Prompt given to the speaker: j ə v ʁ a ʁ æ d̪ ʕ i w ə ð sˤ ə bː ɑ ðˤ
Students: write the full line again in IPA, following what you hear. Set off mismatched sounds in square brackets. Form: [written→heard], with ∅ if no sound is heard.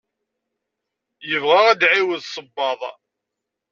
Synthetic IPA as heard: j ə v ʁ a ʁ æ d̪ ʕ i w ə ð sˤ ə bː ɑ ðˤ